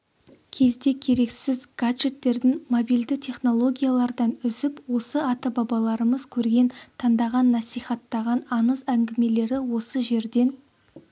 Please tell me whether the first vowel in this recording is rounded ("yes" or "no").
no